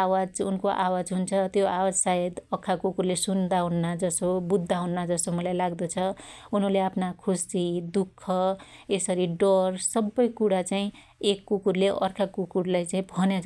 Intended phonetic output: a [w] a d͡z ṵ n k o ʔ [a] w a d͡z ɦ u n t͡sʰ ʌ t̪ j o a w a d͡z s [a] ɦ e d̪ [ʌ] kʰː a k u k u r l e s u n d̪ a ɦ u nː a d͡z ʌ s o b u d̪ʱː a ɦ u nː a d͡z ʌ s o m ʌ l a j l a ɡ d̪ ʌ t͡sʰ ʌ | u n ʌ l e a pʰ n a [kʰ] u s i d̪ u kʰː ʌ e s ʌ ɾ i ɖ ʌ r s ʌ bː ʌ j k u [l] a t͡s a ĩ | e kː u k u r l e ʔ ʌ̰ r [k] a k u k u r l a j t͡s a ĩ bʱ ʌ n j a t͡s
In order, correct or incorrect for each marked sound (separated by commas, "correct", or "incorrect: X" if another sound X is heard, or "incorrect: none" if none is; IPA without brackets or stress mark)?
correct, correct, correct, correct, correct, incorrect: ɽ, incorrect: kʰ